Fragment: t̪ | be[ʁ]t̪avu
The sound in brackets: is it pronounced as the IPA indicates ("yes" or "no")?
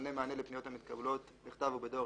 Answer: no